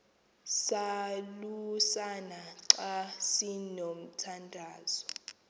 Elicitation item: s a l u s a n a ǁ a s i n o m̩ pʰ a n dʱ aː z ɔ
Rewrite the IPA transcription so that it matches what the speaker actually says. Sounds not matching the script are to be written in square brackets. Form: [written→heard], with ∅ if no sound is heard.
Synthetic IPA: s a l u s a n a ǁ a s i n o m̩ [pʰ→tʰ] a n dʱ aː z ɔ